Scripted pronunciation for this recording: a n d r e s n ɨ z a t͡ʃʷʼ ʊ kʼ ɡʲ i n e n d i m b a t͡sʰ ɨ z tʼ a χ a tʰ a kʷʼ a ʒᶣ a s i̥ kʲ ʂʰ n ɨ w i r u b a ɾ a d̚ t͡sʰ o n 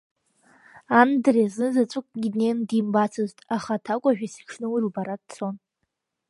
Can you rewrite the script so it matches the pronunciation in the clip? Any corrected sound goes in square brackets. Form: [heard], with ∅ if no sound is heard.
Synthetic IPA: a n d r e [z] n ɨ z a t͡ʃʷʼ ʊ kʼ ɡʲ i n e n d i m b a t͡sʰ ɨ z tʼ a χ a tʰ a kʷʼ a ʒᶣ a s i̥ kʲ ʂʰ n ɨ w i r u b a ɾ a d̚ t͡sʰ o n